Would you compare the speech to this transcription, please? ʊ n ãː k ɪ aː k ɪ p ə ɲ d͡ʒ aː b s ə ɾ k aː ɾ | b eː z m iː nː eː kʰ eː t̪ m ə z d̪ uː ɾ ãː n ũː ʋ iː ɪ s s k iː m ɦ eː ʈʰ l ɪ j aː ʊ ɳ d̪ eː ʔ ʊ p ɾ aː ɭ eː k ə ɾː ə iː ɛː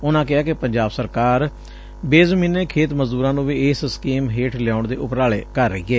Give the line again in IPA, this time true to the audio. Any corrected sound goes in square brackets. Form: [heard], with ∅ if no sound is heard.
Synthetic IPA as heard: ʊ n ãː k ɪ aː k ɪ p ə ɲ d͡ʒ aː b s ə ɾ k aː ɾ | b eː z m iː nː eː kʰ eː t̪ m ə z d̪ uː ɾ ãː n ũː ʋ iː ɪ s s k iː m ɦ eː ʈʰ l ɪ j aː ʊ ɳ d̪ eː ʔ ʊ p ɾ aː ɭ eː k ə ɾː ə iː ɛː